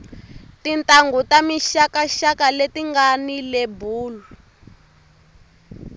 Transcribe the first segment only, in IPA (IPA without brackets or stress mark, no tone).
t